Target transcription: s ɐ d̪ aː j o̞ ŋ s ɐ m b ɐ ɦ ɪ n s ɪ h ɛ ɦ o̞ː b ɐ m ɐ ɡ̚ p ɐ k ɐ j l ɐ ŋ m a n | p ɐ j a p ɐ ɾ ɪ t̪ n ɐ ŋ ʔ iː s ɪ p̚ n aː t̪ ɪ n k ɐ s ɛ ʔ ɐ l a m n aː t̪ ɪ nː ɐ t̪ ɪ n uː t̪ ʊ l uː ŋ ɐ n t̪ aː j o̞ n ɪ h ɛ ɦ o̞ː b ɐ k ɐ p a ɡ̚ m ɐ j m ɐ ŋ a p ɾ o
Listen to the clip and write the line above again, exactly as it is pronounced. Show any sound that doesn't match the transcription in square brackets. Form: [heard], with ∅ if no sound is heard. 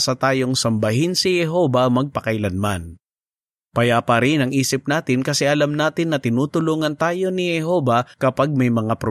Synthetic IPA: s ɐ [t̪] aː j o̞ ŋ s ɐ m b ɐ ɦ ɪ n s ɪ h ɛ ɦ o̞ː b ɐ m ɐ ɡ̚ p ɐ k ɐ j l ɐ [n] m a n | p ɐ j a p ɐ ɾ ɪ [∅] n ɐ ŋ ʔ iː s ɪ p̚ n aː t̪ ɪ n k ɐ s ɛ ʔ ɐ l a m n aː t̪ ɪ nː ɐ t̪ ɪ n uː t̪ ʊ l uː ŋ ɐ n t̪ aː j o̞ n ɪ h ɛ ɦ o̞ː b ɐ k ɐ p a ɡ̚ m ɐ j m ɐ ŋ a p ɾ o